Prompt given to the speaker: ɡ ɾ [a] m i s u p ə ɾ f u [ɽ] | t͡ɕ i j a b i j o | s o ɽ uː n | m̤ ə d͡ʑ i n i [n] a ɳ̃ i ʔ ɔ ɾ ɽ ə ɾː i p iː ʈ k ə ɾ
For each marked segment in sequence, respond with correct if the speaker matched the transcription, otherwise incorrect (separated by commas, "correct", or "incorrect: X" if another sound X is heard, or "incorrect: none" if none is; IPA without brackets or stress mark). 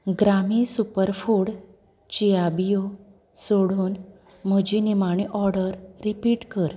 correct, correct, incorrect: m